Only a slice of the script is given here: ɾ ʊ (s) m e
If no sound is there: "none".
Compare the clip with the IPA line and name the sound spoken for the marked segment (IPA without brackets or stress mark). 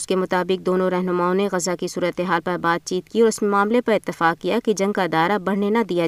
s